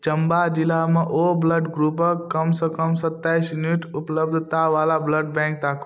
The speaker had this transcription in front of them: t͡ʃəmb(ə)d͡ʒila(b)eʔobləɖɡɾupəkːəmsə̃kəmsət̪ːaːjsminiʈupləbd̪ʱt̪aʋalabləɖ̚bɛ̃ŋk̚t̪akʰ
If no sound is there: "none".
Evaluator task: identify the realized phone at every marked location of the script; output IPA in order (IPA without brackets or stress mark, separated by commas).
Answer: a, m